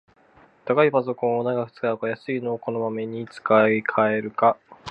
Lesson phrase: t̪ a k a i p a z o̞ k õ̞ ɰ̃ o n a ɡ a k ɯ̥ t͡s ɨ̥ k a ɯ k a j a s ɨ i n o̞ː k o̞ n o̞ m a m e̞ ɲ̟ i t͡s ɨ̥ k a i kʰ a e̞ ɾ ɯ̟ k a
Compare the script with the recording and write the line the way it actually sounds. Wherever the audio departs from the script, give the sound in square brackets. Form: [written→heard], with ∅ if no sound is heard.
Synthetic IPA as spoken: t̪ a k a i p a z o̞ k õ̞ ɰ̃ o n a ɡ a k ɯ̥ t͡s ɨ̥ k a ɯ k a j a s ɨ i n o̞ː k o̞ n o̞ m a m e̞ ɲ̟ i t͡s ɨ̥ k a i kʰ a e̞ ɾ ɯ̟ k a